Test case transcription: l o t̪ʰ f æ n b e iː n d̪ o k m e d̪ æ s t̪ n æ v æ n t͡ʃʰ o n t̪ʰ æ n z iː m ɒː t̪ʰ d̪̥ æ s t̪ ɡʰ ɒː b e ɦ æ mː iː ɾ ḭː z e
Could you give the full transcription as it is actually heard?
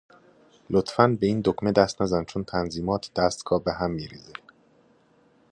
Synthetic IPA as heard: l o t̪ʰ f æ n b e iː n d̪ o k m e d̪ æ s t̪ n æ z æ n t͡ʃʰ o n t̪ʰ æ n z iː m ɒː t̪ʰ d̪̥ æ s t̪ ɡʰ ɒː b e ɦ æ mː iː ɾ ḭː z e